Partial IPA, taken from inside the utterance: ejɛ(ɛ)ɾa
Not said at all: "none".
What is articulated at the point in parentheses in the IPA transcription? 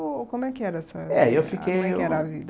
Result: ɛ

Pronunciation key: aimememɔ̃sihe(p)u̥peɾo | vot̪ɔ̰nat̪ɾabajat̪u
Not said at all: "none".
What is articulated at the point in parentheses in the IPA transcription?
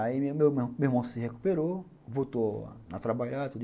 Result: k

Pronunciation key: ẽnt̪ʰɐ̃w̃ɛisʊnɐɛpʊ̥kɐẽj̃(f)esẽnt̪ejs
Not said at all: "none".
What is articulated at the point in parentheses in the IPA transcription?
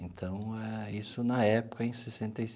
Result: s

